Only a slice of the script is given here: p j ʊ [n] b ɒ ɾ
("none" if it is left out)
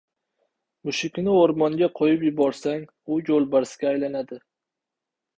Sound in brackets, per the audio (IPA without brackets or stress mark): none